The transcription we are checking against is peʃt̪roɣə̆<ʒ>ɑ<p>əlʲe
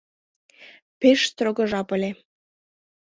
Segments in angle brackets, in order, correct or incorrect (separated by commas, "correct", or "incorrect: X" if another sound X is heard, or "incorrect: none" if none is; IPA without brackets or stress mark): correct, correct